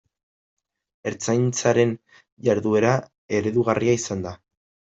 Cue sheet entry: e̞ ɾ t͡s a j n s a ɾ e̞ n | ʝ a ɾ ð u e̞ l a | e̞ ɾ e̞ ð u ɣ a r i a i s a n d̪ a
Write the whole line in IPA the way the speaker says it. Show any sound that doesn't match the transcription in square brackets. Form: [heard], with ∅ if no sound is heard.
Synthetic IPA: e̞ ɾ t͡s a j n [t͡s] a ɾ e̞ n | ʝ a ɾ ð u e̞ [ɾ] a | e̞ ɾ e̞ ð u ɣ a r i a i s a n d̪ a